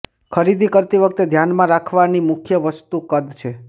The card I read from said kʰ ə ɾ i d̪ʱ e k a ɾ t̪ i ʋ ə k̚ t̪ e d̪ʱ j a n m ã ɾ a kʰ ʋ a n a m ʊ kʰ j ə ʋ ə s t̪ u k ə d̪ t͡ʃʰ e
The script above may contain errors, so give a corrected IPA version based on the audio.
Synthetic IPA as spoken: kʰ ə ɾ i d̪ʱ i k ə ɾ t̪ i ʋ ə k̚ t̪ e d̪ʱ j a n m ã ɾ a kʰ ʋ a n i m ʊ kʰ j ə ʋ ə s t̪ u k ə d̪ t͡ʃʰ e